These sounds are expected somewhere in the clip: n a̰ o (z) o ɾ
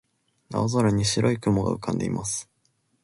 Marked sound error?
no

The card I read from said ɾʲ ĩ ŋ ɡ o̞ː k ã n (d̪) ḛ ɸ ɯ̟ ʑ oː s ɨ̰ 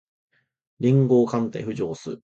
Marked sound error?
yes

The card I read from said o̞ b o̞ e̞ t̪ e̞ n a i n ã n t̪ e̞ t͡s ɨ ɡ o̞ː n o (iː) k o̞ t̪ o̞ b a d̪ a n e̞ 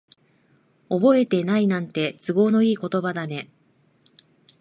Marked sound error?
no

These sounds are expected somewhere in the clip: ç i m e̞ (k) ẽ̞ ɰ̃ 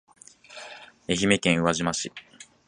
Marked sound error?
no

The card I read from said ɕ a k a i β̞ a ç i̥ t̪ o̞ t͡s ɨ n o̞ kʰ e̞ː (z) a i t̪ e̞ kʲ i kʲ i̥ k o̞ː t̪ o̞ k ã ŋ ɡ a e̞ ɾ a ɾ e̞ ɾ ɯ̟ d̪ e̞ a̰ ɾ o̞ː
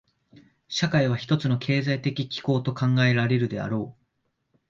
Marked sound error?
no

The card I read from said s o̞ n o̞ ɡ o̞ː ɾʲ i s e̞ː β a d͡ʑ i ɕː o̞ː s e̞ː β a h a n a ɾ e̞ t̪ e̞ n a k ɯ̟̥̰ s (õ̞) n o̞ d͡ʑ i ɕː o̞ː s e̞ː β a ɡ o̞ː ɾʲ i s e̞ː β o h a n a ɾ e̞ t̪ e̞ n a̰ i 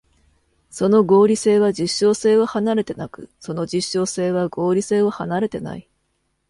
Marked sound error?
yes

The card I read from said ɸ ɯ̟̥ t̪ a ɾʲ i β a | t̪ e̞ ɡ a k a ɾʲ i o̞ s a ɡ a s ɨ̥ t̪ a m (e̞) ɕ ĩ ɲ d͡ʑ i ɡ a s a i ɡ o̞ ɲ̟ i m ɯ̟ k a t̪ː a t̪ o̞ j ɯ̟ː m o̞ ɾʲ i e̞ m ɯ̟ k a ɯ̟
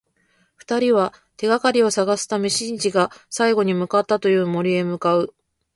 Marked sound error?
no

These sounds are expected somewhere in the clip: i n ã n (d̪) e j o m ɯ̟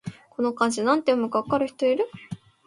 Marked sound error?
yes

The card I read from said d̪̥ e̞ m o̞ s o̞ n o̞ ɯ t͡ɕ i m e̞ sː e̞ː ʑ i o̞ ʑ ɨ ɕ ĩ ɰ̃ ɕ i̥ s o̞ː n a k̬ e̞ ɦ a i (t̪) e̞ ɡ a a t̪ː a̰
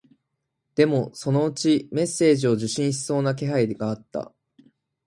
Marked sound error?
yes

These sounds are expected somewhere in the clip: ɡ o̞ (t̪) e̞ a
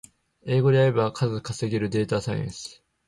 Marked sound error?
yes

